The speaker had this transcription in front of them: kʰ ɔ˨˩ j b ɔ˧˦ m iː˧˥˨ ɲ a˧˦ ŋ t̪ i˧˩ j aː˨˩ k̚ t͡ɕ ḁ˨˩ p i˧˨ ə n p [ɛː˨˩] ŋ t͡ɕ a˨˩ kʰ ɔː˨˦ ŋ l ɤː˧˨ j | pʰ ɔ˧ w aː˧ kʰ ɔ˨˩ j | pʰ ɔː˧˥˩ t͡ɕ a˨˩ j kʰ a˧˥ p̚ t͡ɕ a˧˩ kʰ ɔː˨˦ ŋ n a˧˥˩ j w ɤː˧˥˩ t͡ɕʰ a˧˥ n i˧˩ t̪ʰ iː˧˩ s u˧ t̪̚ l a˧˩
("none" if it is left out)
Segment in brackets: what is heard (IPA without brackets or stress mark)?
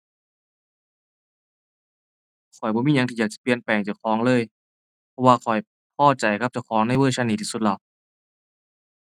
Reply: ɛː˨˩